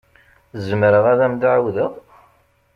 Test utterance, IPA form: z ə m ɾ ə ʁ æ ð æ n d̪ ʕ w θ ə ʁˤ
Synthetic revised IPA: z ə m ɾ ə ʁ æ ð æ m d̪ ʕ w ð ə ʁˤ